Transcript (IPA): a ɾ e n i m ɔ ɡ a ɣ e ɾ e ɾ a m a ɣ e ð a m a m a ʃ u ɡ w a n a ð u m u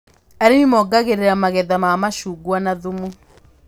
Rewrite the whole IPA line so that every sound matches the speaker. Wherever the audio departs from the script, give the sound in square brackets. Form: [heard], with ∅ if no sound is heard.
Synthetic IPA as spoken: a ɾ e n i m ɔ ɡ a ɣ e ɾ e ɾ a m a ɣ [ɛ] ð a m a m a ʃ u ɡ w a n a ð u m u